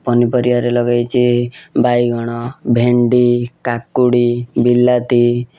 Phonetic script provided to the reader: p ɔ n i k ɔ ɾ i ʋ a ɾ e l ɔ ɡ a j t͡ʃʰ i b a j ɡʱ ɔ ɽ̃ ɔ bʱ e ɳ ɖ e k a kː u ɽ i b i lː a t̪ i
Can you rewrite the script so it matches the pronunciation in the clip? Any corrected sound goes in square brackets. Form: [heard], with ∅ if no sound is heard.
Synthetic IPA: p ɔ n i [p] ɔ ɾ i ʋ a ɾ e l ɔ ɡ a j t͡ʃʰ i b a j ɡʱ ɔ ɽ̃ ɔ bʱ e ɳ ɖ [i] k a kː u ɽ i b i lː a t̪ i